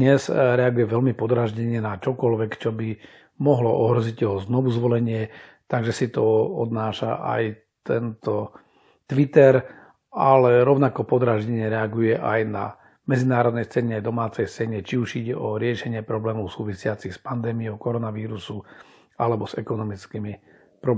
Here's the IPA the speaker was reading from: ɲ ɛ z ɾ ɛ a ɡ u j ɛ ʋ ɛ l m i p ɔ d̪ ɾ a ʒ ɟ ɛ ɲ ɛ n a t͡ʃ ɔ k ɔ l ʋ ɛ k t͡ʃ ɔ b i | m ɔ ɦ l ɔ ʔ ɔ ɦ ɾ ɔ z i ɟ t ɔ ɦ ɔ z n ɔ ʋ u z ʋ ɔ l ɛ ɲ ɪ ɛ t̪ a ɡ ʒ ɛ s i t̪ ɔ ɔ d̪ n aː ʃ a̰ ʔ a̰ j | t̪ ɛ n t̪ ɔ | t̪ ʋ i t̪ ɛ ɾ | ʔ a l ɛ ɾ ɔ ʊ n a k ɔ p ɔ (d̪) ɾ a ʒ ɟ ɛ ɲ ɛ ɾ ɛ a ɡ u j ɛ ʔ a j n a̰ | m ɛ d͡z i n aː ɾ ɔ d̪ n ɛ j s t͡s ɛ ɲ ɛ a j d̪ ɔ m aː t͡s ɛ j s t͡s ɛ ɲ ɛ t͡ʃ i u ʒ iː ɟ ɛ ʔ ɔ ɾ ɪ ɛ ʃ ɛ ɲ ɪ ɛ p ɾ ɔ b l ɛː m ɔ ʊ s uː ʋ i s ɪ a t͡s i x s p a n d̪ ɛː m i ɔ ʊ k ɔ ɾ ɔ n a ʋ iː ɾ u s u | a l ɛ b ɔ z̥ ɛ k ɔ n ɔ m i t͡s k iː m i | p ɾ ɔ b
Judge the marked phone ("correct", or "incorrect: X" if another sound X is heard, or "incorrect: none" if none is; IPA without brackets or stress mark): correct